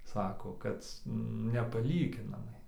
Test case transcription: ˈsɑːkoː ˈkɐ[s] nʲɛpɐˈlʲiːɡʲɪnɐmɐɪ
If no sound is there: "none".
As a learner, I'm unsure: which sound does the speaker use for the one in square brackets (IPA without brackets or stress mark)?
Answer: t